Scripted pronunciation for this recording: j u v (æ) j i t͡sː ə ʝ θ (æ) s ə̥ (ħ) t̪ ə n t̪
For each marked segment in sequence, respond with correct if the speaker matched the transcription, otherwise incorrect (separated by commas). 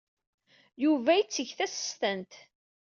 correct, correct, incorrect